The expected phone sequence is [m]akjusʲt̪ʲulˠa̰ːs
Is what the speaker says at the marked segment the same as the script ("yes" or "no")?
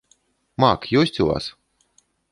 yes